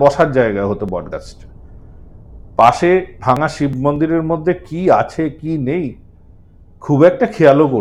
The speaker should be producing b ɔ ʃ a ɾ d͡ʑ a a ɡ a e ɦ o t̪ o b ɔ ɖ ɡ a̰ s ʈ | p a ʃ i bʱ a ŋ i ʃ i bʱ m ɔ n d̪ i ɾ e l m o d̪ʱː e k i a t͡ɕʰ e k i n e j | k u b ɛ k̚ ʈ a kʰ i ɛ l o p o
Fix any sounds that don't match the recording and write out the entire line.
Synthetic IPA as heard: b ɔ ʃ a ɾ d͡ʑ a e ɡ a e ɦ o t̪ o b ɔ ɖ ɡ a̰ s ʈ | p a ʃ e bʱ a ŋ a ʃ i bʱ m o n d̪ i ɾ e ɾ m o d̪ʱː e k i a t͡ɕʰ e k i n e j | kʰ u b ɛ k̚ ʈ a kʰ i a l o k o